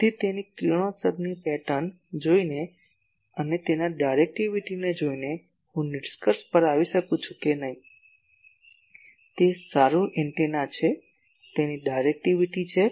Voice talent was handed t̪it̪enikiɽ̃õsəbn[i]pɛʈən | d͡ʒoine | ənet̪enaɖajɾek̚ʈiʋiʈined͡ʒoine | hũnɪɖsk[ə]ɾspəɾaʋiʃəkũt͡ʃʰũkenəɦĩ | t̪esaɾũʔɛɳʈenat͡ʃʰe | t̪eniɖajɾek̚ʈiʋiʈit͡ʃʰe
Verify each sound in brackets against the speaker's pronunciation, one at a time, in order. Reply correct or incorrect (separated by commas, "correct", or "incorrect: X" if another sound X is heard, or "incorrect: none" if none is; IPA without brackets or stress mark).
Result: correct, correct